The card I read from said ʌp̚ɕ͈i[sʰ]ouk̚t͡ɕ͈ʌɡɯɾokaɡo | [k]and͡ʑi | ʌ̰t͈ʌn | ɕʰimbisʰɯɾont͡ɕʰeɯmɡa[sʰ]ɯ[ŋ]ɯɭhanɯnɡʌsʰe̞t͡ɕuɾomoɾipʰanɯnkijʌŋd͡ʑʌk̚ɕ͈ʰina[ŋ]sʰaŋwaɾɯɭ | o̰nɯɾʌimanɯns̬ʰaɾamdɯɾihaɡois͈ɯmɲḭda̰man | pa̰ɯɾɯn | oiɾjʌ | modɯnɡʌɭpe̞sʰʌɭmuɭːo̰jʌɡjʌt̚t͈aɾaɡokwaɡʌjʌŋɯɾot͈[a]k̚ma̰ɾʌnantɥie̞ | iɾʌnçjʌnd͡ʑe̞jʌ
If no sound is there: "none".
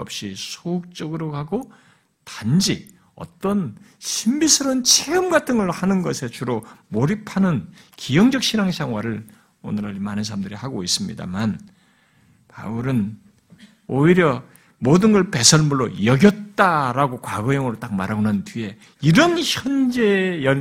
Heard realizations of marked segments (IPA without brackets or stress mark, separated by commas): sʰ, t, tʰ, ŋ, ŋ, a